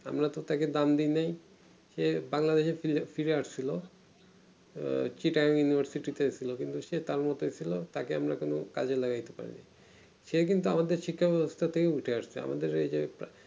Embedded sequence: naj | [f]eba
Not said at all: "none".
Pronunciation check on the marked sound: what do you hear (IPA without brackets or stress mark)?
ʃ